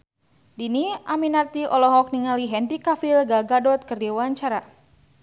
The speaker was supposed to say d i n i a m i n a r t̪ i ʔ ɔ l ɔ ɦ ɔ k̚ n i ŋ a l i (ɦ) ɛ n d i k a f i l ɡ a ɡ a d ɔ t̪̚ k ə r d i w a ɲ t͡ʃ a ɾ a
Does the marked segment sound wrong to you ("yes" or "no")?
no